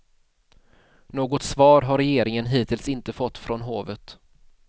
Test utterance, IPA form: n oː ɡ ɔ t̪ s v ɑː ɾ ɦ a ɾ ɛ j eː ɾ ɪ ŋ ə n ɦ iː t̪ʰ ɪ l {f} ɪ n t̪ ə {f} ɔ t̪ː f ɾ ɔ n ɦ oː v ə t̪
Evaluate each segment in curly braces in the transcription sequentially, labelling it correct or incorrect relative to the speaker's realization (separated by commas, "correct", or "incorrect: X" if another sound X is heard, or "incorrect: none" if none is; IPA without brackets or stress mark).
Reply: incorrect: s, correct